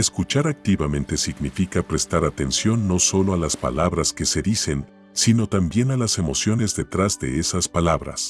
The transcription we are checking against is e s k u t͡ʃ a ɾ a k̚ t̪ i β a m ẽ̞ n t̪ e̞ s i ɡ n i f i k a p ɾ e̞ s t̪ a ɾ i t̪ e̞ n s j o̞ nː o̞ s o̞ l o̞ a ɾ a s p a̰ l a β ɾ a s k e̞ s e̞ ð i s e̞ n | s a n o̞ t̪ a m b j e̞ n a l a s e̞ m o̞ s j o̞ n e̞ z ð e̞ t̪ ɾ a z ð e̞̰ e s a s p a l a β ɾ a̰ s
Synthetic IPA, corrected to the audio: e s k u t͡ʃ a ɾ a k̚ t̪ i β a m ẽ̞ n t̪ e̞ s i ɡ n i f i k a p ɾ e̞ s t̪ a ɾ a t̪ e̞ n s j o̞ nː o̞ s o̞ l o̞ a l a s p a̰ l a β ɾ a s k e̞ s e̞ ð i s e̞ n | s i n o̞ t̪ a m b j e̞ n a l a s e̞ m o̞ s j o̞ n e̞ z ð e̞ t̪ ɾ a z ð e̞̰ e s a s p a l a β ɾ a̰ s